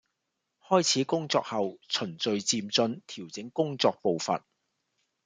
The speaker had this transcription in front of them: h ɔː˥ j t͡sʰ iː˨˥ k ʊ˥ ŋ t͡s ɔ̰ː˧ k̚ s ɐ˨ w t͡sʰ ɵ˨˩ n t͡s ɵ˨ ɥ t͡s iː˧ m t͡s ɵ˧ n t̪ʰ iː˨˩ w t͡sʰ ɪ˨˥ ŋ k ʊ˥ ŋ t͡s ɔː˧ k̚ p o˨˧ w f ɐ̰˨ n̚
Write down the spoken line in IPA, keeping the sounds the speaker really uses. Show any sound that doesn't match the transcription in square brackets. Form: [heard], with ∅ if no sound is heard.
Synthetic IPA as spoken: h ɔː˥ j t͡sʰ iː˨˥ k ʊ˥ ŋ t͡s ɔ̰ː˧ k̚ [h] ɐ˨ w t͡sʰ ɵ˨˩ n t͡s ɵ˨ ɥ t͡s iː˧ m t͡s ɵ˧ n t̪ʰ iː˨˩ w [t͡s] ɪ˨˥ ŋ k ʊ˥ ŋ t͡s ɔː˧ k̚ p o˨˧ w f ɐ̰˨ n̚